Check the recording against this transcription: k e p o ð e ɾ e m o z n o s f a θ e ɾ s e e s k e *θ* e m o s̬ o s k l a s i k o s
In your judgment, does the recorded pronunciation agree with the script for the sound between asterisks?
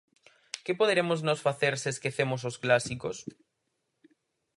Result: yes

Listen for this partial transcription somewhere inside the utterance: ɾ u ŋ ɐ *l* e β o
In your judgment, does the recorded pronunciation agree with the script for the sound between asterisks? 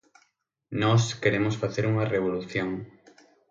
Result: no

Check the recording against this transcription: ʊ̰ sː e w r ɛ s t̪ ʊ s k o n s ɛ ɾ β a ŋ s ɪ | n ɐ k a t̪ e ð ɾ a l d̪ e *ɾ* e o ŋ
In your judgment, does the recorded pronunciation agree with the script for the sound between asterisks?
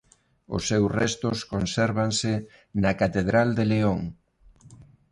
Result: no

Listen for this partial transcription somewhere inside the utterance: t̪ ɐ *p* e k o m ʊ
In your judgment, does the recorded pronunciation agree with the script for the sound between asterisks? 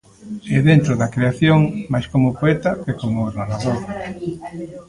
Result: no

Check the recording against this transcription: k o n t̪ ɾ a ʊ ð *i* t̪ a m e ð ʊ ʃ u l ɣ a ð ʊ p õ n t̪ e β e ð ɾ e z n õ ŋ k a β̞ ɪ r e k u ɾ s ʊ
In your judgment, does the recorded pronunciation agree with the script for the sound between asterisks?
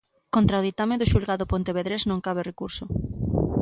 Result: yes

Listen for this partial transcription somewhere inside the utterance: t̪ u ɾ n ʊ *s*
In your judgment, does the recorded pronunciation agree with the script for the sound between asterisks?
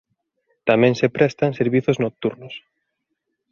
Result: yes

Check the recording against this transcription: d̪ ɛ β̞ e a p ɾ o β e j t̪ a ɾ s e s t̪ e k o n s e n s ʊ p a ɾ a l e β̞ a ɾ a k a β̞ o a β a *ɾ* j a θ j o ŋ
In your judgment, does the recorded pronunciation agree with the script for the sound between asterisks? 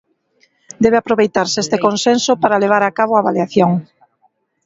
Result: no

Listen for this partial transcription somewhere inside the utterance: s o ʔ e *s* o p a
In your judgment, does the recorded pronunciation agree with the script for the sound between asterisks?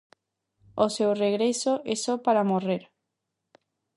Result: yes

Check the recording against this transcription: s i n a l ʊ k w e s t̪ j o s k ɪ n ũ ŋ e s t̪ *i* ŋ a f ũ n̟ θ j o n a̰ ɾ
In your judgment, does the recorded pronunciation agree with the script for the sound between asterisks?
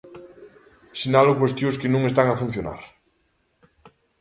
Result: no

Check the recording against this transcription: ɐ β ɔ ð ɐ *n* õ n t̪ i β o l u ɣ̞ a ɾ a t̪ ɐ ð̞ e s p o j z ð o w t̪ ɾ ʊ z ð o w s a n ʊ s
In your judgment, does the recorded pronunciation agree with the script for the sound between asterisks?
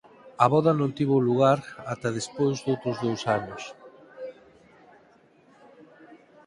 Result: yes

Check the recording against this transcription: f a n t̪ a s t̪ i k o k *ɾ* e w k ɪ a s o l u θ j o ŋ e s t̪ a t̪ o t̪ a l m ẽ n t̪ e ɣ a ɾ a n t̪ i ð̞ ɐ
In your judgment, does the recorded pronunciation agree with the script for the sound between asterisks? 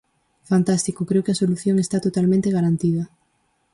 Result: yes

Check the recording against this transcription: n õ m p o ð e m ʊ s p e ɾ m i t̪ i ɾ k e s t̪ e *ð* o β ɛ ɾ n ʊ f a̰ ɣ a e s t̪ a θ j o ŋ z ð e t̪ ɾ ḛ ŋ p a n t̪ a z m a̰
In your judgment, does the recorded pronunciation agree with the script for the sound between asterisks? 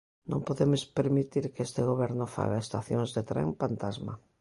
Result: no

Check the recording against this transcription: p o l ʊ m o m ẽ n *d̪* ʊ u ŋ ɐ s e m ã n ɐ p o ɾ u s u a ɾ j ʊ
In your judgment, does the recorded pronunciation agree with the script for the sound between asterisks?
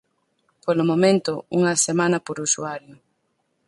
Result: no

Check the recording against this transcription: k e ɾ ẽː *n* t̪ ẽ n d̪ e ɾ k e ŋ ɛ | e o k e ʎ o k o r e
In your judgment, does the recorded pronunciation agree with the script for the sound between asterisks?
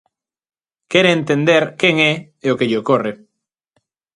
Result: yes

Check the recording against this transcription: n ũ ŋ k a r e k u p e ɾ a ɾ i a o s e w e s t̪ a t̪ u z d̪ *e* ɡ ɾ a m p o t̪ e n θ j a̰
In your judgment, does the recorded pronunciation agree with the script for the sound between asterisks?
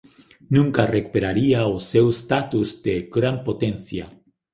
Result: yes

